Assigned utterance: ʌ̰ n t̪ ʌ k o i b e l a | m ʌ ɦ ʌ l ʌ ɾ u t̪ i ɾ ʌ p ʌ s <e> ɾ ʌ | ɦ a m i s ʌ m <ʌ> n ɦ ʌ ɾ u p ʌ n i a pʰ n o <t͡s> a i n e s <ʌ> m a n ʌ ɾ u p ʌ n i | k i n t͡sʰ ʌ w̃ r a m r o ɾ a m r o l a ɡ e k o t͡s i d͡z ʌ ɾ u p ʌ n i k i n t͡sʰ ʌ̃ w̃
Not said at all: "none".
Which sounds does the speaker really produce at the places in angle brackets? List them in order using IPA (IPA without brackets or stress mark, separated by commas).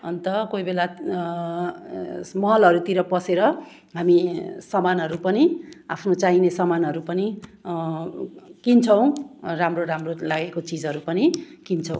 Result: e, a, t͡s, ʌ